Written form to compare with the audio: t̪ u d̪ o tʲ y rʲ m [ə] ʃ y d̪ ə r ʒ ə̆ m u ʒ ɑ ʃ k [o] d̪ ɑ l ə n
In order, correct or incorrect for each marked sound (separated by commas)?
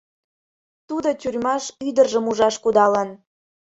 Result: incorrect, incorrect